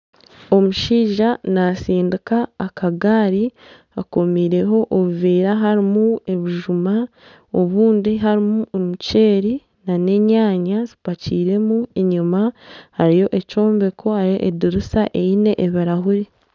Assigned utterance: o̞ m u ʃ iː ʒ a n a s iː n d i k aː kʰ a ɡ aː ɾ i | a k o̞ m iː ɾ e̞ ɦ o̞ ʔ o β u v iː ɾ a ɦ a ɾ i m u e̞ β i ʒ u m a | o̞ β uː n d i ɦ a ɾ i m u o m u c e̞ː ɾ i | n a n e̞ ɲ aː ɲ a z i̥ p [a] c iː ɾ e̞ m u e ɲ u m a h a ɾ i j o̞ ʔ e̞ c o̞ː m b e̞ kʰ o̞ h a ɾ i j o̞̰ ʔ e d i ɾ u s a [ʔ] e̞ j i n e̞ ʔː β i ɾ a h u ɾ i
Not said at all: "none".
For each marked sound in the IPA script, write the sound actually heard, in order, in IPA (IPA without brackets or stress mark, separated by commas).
a, ʔ